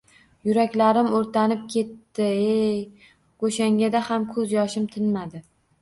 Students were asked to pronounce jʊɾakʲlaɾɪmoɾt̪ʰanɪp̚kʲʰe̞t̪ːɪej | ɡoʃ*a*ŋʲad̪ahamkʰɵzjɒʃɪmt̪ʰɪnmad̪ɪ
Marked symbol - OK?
yes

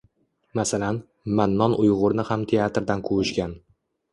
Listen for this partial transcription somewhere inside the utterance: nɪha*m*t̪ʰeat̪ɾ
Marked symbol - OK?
yes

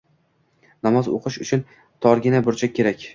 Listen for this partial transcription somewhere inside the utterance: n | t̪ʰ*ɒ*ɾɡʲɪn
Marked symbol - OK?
yes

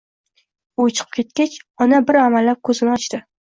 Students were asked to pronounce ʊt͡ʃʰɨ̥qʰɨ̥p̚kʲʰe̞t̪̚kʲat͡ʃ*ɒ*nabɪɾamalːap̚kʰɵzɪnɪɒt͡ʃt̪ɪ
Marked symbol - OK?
yes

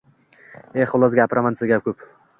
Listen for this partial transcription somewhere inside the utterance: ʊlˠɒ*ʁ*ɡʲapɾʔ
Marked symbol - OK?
no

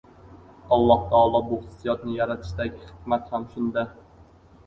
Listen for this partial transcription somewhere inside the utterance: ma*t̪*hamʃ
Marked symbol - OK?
yes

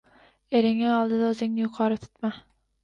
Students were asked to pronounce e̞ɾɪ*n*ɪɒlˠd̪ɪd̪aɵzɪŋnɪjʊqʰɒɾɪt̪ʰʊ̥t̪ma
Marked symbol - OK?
no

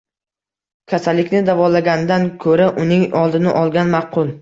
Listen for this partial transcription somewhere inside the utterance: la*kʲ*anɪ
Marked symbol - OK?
no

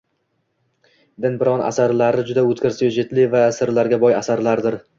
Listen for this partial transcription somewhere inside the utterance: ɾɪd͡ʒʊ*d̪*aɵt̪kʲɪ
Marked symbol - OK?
yes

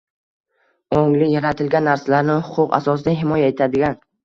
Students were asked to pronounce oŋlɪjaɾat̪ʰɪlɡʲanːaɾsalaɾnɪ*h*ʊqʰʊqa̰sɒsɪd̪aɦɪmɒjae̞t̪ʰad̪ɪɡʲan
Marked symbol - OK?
yes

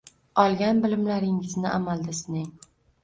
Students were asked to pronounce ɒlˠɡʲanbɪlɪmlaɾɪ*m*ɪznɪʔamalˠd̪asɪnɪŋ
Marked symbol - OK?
no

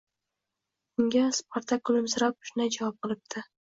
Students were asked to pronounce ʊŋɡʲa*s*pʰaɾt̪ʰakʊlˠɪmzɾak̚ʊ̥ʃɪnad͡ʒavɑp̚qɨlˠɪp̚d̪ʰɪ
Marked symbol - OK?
yes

